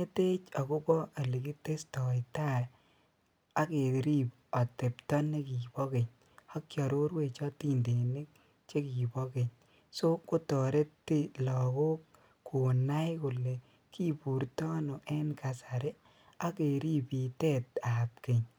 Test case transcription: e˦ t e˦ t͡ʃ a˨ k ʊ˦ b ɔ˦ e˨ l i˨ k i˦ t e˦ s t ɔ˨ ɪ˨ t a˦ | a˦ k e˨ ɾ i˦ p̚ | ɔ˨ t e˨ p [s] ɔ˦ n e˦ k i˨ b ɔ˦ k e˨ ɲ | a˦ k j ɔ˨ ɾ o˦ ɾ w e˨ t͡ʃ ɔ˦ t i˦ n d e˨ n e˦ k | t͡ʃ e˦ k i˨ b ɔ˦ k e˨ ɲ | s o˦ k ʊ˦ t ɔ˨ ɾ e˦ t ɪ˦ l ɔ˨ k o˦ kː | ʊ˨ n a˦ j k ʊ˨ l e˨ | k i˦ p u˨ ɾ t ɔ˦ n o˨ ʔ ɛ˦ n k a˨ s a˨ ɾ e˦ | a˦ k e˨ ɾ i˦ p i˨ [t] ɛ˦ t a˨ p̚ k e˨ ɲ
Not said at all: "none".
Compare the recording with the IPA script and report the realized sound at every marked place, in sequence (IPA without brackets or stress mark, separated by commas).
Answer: t, t